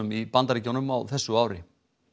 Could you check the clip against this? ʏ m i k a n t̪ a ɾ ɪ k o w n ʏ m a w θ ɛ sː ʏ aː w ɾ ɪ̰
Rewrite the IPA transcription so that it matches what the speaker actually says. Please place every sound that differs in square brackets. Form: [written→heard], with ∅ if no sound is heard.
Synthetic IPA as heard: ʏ m i [k→p] a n t̪ a ɾ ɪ [k→c] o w n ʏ m a w θ ɛ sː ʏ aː w ɾ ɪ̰